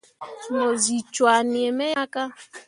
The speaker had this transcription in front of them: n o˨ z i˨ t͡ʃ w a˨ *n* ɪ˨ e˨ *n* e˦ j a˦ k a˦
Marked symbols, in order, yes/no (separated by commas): yes, no